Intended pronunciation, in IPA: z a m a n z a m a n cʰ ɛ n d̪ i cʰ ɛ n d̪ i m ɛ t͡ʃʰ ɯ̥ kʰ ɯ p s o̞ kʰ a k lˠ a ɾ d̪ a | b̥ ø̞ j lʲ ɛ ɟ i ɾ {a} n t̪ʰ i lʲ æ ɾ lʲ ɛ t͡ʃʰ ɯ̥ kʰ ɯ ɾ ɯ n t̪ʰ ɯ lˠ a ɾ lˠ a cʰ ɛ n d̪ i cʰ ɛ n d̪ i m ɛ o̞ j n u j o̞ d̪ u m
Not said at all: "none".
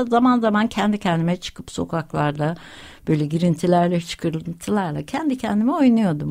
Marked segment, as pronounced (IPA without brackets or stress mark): i